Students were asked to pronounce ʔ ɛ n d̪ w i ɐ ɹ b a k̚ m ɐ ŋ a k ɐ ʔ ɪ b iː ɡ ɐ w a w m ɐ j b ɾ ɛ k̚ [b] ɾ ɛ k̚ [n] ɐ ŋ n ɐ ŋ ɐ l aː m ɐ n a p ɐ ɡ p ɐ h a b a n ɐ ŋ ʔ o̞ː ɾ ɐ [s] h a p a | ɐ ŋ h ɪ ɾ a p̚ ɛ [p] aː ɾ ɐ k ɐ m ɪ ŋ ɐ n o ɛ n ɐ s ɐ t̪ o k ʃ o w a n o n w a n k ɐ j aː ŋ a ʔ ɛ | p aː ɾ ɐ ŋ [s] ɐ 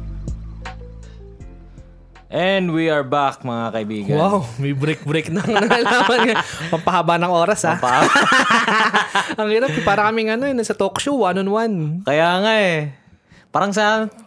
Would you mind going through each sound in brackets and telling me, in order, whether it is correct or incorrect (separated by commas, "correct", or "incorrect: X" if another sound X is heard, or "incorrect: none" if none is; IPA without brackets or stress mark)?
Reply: correct, correct, correct, correct, correct